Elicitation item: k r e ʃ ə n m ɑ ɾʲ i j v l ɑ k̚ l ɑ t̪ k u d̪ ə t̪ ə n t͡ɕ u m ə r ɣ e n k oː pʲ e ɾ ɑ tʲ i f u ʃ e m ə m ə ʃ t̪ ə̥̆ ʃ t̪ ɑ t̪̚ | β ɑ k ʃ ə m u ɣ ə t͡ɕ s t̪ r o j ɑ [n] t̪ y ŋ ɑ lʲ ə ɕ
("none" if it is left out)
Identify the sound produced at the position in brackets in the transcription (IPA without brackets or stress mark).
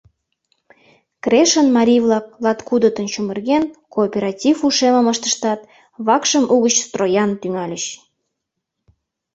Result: n